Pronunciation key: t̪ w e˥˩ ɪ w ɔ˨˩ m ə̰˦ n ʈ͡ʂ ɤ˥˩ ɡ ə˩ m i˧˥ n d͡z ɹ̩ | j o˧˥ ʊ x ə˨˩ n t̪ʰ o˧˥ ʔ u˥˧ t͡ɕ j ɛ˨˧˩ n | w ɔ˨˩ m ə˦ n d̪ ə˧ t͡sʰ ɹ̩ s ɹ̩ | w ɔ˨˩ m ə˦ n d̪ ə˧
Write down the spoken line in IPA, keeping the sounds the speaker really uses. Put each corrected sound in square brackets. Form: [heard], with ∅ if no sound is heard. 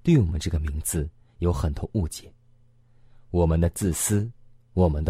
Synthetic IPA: t̪ w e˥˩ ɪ w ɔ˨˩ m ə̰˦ n ʈ͡ʂ ɤ˥˩ ɡ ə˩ m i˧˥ [ŋ] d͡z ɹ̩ | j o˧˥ ʊ x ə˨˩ n t̪ʰ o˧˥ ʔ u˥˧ t͡ɕ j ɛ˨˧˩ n | w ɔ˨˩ m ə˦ n d̪ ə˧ [t͡s] ɹ̩ s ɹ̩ | w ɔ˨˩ m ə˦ n d̪ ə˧